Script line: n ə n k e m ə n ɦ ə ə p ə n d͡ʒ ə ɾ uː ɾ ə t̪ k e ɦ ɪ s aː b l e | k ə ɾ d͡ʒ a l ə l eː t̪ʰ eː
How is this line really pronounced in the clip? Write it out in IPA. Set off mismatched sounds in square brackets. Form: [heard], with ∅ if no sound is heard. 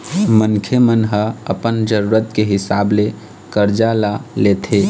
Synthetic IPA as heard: [m] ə n [kʰ] e m ə n ɦ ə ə p ə n d͡ʒ ə ɾ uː ɾ ə t̪ k e ɦ ɪ s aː b l e | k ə ɾ d͡ʒ a l [a] l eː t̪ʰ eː